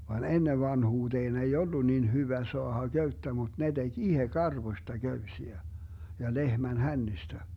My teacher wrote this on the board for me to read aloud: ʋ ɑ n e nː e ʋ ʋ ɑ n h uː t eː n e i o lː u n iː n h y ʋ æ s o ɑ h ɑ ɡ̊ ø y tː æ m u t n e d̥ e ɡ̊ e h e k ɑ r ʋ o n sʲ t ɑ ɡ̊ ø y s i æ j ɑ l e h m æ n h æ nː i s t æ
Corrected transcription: ʋ ɑ n e nː e ʋ ʋ ɑ n h uː t eː n e i o lː u n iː n h y ʋ æ s o ɑ h ɑ ɡ̊ ø y tː æ m u t n e d̥ e ɡ̊ i h e k ɑ r ʋ o sʲ t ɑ ɡ̊ ø y s i æ j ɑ l e h m æ n h æ nː i s t æ